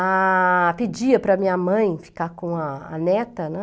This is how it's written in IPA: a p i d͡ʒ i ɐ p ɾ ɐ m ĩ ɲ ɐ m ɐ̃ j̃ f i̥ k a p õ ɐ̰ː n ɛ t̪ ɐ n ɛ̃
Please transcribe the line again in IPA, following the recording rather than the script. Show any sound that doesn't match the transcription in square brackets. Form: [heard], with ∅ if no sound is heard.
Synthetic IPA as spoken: a p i d͡ʒ i ɐ p ɾ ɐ m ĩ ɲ ɐ m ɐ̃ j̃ f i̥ k a [k] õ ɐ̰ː n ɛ t̪ ɐ n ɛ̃